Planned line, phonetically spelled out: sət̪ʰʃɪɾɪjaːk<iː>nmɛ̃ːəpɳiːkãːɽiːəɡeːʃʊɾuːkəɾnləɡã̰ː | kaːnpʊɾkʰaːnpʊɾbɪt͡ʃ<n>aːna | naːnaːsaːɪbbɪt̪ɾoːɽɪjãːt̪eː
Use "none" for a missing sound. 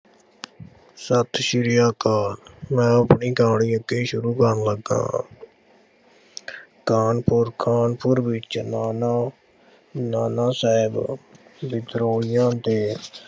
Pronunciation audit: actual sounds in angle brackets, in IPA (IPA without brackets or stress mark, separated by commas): aː, n